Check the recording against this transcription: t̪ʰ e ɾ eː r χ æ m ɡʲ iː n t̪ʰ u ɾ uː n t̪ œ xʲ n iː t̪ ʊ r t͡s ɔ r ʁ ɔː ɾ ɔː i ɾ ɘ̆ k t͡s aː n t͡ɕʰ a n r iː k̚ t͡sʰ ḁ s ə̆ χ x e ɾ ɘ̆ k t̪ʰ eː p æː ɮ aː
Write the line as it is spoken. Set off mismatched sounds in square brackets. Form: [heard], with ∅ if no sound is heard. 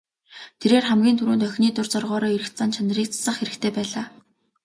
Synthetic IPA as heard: t̪ʰ e ɾ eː r χ æ m ɡʲ iː n t̪ʰ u ɾ uː n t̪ œ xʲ n iː t̪ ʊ r t͡s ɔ r ʁ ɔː ɾ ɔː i ɾ ɘ̆ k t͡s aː n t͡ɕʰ a n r iː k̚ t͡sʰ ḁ s ə̆ χ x e ɾ ɘ̆ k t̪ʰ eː p æː ɮ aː